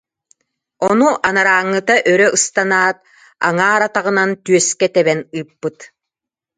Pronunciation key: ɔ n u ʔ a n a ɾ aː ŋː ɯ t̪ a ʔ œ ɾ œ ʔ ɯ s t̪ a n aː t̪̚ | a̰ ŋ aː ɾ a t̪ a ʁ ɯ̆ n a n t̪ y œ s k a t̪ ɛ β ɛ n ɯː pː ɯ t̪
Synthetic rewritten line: ɔ n u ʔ a n a ɾ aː ŋː ɯ t̪ a ʔ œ ɾ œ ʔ ɯ s t̪ a n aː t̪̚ | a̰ ŋ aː ɾ a t̪ a ʁ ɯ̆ n a n t̪ y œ s k ɛ t̪ ɛ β ɛ n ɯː pː ɯ t̪